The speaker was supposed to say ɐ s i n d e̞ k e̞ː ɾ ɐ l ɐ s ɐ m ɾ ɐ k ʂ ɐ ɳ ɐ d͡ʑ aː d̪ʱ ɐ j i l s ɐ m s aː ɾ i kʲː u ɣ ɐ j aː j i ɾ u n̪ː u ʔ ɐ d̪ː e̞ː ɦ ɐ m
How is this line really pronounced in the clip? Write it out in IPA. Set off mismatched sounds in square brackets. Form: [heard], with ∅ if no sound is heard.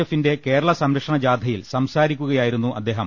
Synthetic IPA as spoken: ɐ [f] i n d e̞ k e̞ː ɾ ɐ [ɭ] ɐ s ɐ m ɾ ɐ k ʂ ɐ ɳ ɐ d͡ʑ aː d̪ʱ ɐ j i l s ɐ m s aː ɾ i kʲː u ɣ ɐ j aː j i ɾ u n̪ː u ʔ ɐ d̪ː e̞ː ɦ ɐ m